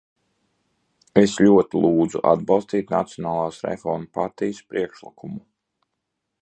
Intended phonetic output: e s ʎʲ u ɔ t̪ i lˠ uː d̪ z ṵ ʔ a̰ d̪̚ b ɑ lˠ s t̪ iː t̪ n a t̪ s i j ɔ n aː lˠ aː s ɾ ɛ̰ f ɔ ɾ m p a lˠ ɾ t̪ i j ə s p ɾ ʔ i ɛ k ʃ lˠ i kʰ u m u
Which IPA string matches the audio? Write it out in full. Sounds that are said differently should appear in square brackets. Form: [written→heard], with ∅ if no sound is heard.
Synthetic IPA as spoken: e s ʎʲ u ɔ t̪ i lˠ uː d̪ z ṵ ʔ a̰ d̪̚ b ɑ lˠ s t̪ iː t̪ n a t̪ s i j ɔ n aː lˠ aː s ɾ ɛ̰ f ɔ ɾ m p a [lˠ→∅] ɾ t̪ i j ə s p ɾ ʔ i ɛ k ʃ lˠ i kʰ u m u